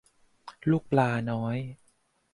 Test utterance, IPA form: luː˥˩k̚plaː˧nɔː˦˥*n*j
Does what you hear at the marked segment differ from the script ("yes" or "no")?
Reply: yes